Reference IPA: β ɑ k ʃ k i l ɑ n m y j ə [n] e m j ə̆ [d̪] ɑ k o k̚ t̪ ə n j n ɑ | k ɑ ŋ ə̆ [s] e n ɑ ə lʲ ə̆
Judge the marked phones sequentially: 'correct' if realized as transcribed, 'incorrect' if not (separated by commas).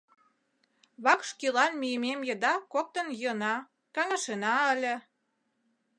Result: incorrect, correct, incorrect